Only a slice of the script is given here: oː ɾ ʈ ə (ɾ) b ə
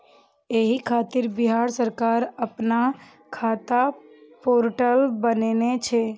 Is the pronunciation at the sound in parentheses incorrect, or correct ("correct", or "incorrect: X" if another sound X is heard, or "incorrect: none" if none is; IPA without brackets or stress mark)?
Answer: incorrect: l